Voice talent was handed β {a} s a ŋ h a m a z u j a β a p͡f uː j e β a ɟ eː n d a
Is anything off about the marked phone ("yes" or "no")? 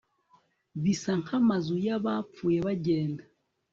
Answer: yes